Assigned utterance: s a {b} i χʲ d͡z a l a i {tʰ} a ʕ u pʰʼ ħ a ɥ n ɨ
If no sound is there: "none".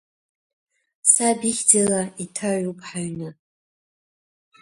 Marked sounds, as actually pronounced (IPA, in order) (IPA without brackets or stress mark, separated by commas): b, tʰ